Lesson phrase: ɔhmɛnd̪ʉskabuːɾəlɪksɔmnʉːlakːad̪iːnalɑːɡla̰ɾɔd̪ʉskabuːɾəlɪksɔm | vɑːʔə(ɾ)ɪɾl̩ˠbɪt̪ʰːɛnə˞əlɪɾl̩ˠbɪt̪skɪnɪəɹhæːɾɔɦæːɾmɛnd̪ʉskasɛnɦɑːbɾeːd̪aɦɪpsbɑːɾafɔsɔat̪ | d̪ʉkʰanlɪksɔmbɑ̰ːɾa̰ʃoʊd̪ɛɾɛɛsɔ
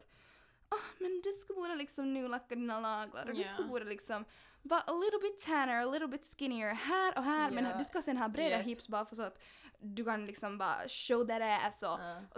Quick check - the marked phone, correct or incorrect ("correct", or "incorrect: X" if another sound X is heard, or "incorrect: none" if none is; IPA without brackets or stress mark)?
incorrect: l